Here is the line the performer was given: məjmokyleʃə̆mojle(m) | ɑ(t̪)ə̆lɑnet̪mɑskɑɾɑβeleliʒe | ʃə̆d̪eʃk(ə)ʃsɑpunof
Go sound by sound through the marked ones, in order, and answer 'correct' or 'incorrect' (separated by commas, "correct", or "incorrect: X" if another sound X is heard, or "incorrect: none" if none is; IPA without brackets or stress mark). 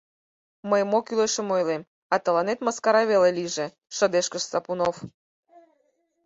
correct, correct, correct